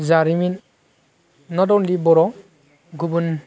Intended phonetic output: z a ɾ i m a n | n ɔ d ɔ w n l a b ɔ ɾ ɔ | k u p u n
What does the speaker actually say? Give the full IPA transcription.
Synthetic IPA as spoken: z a ɾ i m i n | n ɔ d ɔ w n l i b ɔ ɾ ɔ | ɡ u b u n